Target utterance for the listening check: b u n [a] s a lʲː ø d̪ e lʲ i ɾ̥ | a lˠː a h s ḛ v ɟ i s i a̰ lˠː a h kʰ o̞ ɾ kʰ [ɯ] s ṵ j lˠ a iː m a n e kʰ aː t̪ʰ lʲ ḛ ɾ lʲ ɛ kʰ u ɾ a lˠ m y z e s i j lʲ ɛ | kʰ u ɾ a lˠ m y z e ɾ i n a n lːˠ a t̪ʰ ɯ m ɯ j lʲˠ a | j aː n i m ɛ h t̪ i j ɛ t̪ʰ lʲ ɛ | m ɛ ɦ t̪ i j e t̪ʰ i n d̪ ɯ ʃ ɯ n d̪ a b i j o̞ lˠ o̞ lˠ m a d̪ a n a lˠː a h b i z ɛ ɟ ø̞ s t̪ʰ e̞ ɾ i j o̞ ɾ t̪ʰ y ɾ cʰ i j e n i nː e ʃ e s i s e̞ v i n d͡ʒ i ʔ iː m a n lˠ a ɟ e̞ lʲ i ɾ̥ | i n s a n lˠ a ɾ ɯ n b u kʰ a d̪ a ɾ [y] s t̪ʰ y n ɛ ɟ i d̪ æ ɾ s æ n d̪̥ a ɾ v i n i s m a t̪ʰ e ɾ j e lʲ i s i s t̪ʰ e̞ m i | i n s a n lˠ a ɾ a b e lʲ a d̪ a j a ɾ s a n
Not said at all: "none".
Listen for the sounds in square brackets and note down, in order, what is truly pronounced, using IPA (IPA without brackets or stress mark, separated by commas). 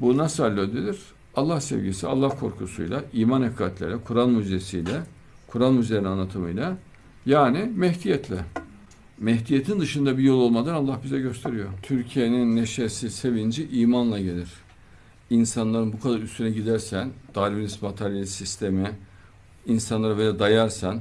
a, u, y